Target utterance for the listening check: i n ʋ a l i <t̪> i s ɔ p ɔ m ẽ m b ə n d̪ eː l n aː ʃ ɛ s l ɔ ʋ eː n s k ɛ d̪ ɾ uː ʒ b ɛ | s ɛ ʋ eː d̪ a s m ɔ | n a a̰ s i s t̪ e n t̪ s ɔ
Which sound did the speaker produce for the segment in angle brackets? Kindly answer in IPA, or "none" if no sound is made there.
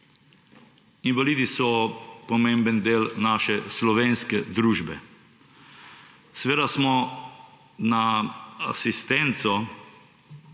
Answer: d̪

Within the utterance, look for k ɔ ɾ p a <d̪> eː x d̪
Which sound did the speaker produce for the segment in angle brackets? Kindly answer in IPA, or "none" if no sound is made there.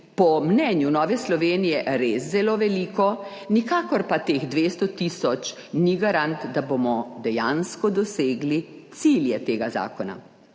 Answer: t̪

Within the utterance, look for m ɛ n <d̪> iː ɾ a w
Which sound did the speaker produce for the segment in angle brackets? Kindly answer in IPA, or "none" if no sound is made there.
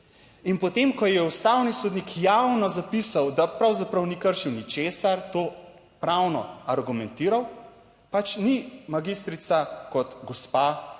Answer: t̪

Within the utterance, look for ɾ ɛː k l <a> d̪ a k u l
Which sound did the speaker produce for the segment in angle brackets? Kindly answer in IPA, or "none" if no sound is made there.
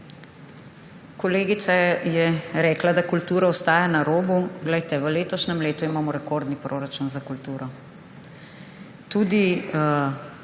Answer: a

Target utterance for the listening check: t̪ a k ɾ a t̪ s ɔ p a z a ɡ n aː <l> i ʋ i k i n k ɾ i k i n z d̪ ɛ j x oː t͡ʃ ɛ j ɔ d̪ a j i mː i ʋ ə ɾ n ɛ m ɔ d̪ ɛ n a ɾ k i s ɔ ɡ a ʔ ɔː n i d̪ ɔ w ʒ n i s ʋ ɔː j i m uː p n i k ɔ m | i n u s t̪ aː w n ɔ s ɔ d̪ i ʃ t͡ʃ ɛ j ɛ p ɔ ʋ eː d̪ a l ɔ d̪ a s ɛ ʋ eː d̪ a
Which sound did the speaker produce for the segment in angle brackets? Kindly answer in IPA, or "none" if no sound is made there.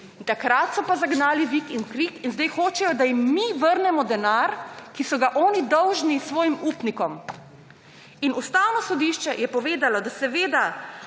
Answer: l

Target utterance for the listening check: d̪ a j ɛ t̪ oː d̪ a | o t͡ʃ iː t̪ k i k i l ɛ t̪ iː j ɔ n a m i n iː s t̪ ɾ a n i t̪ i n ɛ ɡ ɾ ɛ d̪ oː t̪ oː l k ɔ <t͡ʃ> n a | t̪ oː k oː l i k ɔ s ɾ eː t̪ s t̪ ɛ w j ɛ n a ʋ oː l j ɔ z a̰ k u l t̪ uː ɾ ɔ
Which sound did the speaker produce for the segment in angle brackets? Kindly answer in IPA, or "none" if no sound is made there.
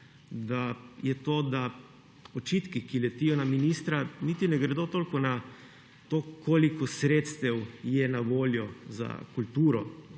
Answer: none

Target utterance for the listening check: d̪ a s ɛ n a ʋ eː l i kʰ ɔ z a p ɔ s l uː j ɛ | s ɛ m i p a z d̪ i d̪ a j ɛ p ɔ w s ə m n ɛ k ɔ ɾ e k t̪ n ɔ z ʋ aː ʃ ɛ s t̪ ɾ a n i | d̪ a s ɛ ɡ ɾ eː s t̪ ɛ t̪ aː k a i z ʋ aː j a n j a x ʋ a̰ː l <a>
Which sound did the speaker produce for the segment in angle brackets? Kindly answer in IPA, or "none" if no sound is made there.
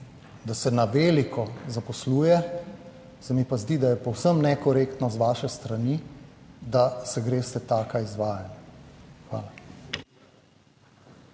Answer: a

